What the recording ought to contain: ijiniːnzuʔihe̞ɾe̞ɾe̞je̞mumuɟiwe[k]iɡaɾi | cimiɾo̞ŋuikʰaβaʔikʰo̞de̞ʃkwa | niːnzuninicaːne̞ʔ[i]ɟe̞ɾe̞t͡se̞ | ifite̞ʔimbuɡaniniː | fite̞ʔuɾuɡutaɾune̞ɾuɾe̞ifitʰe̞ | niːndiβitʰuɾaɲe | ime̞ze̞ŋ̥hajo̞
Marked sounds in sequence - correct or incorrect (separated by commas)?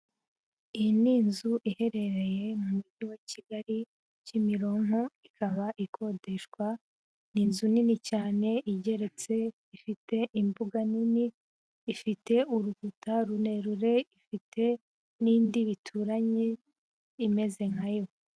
incorrect, correct